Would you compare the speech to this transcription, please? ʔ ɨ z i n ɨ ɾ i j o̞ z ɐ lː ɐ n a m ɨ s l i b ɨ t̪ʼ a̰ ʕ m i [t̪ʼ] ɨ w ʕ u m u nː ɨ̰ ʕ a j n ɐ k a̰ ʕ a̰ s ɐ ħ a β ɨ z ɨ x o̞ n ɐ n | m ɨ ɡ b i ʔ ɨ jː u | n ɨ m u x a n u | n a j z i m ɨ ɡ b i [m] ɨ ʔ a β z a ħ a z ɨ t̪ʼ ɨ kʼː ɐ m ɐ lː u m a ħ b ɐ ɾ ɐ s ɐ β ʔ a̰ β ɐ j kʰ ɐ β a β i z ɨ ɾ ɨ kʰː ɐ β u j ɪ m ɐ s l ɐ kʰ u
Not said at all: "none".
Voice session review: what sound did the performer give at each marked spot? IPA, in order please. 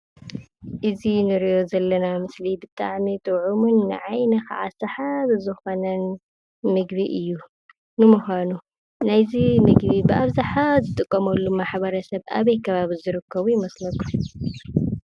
t̪ʼ, b

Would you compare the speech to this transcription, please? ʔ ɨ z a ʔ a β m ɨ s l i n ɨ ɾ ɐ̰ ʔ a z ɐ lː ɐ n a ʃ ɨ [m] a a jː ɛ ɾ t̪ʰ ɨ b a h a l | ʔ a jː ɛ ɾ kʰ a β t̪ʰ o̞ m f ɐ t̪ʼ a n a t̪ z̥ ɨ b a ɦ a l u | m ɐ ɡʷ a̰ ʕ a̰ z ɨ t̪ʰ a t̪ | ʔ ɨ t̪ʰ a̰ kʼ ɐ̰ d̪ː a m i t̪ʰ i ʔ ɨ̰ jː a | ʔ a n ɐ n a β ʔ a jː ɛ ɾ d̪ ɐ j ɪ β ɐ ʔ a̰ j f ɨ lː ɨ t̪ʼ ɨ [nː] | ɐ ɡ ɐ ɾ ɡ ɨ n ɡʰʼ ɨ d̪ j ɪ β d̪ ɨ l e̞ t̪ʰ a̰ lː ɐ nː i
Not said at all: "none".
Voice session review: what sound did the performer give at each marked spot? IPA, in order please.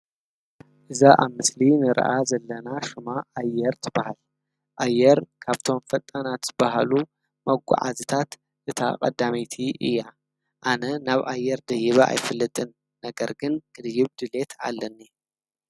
m, nː

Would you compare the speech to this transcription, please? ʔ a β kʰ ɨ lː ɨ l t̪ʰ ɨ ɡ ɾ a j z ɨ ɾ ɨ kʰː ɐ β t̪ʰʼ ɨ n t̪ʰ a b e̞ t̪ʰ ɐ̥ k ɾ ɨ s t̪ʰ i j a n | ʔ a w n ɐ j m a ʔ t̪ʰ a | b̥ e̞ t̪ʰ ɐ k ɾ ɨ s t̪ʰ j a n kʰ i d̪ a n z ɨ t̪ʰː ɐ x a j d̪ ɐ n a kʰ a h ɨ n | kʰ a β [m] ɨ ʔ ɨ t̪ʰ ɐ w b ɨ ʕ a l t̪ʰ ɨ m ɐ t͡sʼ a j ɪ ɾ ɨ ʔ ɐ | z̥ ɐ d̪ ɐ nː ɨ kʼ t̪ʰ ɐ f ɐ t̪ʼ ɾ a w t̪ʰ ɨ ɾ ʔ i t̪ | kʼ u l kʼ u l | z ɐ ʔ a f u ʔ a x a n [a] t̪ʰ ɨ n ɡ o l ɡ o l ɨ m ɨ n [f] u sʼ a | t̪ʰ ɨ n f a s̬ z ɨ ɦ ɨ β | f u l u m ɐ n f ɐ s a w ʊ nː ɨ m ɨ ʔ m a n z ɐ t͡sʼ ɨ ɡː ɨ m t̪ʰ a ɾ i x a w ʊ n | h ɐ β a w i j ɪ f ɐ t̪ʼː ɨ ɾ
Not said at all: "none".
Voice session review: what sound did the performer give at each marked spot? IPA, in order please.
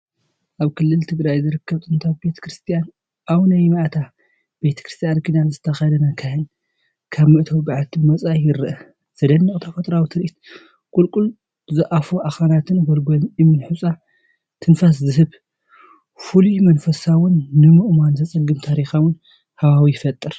m, a, ħ

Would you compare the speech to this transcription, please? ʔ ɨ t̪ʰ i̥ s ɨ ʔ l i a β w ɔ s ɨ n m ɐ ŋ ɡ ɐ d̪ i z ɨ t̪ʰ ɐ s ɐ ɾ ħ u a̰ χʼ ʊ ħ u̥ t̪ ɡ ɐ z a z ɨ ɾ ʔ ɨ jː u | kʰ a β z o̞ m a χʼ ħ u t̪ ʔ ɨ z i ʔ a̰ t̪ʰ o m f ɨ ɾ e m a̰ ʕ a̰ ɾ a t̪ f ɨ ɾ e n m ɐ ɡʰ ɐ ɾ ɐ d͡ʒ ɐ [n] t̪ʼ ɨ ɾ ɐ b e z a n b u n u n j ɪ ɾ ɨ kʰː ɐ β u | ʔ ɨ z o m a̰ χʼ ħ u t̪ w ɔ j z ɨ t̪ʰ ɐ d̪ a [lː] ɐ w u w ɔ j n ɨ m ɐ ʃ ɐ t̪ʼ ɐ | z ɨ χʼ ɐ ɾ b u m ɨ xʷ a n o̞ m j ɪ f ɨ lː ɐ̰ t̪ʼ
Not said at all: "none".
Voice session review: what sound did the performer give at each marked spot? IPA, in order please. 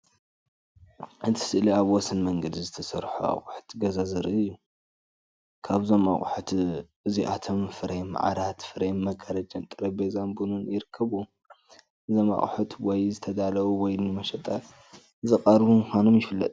n, l

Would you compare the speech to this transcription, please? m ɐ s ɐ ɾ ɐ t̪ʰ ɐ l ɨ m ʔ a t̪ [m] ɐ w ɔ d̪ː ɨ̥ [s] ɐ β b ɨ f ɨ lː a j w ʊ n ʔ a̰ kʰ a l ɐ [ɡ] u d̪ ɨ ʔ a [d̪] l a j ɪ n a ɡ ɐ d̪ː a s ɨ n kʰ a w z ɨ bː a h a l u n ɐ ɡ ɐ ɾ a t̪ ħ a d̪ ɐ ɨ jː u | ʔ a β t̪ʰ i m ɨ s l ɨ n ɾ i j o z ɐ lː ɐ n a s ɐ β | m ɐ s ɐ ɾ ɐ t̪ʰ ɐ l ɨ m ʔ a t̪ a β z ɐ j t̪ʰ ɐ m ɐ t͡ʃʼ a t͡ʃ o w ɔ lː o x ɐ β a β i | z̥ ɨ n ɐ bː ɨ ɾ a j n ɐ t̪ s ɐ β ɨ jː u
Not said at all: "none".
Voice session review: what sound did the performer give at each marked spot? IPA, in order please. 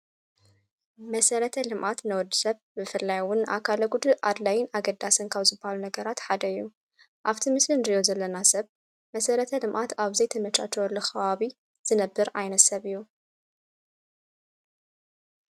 n, s, ɡ, d̪

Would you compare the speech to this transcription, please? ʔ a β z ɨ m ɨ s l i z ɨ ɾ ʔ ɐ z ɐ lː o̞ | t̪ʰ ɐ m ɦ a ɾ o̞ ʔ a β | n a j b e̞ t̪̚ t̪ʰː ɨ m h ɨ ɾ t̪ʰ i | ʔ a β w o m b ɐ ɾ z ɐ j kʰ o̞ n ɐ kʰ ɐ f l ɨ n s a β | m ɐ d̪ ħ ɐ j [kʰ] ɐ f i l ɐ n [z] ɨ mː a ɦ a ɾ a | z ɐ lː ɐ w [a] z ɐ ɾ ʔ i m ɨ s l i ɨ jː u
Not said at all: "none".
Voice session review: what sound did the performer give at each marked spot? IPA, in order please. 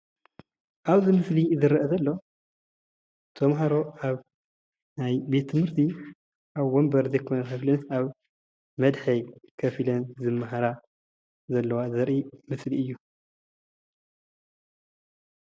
kʰ, z, a

